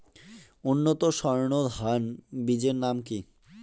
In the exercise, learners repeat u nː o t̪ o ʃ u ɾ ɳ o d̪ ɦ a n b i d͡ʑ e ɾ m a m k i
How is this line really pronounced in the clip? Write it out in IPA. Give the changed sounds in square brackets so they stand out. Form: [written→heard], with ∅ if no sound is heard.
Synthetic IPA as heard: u nː o t̪ o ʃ [u→ɔ] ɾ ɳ o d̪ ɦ a n b i d͡ʑ e ɾ [m→n] a m k i